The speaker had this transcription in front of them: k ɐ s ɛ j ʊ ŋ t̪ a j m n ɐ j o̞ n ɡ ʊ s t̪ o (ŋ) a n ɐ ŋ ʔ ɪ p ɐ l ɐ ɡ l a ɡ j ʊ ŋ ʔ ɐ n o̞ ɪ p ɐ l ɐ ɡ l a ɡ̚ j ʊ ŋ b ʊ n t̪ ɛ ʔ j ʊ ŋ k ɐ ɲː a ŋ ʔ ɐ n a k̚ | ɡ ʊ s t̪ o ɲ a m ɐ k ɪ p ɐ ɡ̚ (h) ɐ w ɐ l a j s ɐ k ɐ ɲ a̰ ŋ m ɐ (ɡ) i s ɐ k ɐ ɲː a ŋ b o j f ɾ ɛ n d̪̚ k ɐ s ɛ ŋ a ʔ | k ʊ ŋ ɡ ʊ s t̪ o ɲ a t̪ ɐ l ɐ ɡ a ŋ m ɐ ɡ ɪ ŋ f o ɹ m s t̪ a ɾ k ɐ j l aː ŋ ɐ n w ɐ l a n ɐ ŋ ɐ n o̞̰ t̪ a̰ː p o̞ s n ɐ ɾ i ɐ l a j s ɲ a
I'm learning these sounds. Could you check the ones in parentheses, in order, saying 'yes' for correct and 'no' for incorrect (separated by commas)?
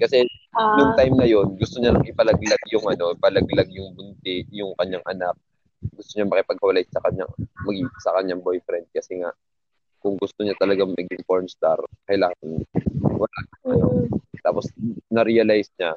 no, yes, yes